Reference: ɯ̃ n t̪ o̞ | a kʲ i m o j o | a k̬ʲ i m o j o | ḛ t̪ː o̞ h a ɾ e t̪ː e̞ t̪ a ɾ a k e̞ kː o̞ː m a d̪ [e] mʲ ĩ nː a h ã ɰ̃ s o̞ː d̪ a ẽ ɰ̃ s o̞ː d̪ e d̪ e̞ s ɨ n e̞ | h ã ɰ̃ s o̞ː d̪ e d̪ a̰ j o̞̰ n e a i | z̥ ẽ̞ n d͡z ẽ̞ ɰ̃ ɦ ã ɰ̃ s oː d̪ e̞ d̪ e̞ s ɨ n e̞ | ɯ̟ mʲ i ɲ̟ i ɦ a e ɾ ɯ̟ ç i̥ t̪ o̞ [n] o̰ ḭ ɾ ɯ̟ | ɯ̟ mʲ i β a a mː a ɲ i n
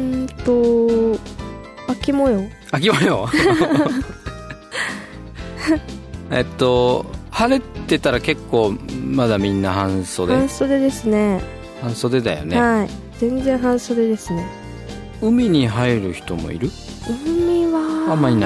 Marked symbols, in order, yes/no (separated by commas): no, no